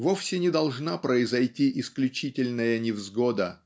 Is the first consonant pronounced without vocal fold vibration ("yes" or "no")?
no